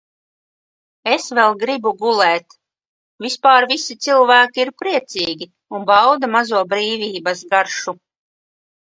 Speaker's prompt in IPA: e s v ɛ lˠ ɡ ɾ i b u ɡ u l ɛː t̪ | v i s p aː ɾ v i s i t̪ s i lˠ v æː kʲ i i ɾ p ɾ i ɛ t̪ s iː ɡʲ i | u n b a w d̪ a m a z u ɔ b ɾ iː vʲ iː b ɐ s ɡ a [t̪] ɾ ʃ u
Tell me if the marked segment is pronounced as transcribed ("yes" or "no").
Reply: no